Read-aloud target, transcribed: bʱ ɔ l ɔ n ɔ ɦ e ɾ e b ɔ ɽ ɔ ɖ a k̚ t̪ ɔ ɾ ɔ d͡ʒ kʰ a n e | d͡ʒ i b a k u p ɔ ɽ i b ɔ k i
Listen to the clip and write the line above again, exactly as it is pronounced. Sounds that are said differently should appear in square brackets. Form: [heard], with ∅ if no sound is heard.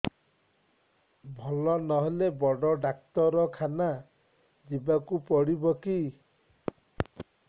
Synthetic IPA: bʱ ɔ l ɔ n ɔ ɦ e [l] e b ɔ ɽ ɔ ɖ a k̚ t̪ ɔ ɾ ɔ [∅] kʰ a n [a] | d͡ʒ i b a k u p ɔ ɽ i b ɔ k i